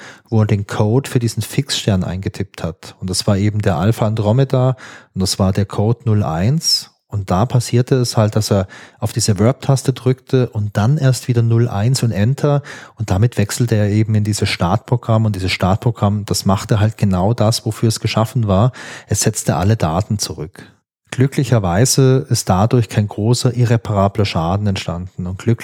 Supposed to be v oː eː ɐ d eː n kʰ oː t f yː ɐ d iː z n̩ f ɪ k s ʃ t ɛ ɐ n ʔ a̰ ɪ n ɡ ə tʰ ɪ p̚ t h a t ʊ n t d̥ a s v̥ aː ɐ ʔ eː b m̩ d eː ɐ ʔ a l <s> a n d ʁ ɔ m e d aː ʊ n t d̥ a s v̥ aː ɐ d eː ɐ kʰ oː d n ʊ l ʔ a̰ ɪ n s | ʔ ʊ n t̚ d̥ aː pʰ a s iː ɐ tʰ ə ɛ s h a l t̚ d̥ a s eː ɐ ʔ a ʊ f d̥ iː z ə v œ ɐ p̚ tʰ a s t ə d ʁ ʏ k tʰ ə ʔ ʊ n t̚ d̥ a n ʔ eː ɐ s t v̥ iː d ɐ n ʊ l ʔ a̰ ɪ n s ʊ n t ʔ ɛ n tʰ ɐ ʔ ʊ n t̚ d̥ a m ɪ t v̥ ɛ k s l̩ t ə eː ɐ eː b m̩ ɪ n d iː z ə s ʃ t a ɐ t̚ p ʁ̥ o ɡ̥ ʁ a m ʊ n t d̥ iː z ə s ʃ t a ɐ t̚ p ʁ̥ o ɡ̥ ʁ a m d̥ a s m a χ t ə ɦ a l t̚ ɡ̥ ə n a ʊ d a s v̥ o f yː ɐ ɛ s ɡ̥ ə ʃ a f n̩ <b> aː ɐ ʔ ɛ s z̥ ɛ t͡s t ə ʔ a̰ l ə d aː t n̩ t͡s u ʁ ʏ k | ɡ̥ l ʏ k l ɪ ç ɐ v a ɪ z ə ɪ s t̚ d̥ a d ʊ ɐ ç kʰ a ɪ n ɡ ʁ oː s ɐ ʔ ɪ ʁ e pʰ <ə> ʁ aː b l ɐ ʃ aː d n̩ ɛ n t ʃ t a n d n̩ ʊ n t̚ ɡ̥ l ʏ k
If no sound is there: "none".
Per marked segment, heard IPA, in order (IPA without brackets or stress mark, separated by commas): f, v, a